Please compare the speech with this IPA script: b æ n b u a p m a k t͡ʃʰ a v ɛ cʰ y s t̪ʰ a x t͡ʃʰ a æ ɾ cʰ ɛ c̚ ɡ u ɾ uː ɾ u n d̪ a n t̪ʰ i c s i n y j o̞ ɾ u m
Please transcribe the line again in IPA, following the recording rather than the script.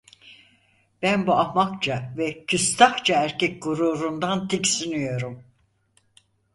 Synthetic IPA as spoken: b æ n b u a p m a k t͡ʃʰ a v ɛ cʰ y s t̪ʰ a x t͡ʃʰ a æ ɾ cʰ ɛ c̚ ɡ u ɾ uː ɾ u n d̪ a n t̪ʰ i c s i n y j o̞ ɾ u m